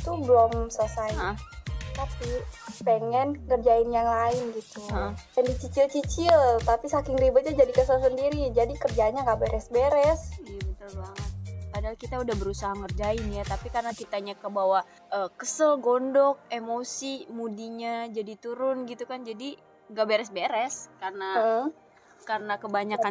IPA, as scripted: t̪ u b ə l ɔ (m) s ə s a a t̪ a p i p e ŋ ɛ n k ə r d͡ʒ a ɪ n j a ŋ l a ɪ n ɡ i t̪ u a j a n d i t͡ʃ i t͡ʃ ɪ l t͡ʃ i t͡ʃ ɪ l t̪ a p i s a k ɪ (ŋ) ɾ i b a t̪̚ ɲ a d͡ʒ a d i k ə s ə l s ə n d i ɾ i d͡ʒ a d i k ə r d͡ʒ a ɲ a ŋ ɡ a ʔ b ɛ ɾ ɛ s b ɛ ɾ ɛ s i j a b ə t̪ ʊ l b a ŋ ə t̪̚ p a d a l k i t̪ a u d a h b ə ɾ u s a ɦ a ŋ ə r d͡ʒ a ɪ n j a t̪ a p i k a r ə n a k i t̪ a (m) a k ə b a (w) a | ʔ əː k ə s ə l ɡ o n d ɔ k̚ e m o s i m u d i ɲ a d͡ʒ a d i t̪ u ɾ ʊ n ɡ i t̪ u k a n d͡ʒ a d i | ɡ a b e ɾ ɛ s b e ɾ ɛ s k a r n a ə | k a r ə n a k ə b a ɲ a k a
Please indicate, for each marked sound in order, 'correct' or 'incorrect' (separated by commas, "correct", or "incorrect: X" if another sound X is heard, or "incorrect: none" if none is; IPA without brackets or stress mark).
correct, correct, incorrect: ɲ, correct